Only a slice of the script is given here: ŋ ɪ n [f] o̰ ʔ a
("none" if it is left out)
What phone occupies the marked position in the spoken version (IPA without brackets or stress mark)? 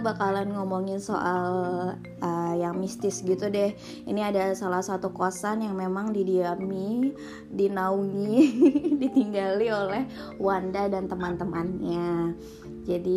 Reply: s